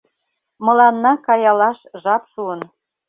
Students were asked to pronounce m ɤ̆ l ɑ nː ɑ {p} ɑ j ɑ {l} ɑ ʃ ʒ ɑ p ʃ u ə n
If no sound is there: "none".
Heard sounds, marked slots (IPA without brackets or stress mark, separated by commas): k, l